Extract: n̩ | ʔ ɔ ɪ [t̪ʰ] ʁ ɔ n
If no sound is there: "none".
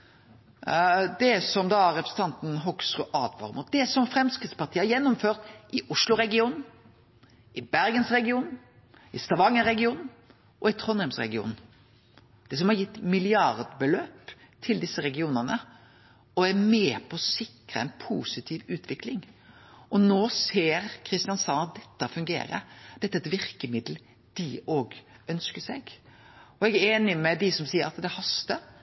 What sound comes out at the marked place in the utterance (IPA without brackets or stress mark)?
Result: t̪ʰ